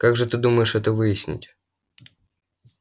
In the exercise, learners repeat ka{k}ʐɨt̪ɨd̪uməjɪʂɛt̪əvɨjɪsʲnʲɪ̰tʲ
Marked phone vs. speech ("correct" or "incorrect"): incorrect